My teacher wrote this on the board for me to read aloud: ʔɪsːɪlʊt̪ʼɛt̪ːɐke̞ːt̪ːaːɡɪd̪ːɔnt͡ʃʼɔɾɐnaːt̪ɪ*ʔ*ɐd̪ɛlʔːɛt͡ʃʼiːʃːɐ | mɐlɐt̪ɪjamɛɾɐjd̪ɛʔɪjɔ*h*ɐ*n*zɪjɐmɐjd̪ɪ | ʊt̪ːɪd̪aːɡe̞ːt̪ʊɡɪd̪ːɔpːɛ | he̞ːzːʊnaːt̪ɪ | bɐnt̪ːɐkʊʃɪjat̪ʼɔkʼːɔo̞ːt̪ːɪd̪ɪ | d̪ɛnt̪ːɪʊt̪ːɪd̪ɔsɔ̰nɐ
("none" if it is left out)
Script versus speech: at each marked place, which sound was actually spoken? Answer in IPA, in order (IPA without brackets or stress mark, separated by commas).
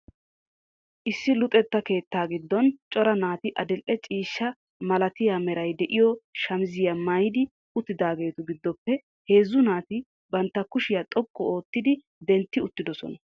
ʔ, ʃ, m